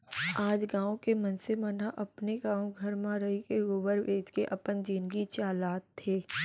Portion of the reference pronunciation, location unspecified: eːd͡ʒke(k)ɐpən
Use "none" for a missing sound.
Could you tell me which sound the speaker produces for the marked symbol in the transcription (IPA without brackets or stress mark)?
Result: ʔ